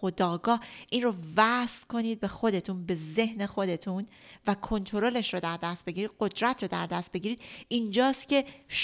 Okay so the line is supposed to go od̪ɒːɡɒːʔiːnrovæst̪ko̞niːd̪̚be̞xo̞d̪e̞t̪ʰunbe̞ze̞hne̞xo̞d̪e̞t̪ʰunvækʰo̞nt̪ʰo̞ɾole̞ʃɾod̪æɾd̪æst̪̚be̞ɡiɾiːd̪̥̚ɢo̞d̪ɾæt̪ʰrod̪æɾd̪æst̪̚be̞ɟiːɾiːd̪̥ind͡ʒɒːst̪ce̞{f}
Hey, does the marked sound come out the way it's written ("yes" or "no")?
no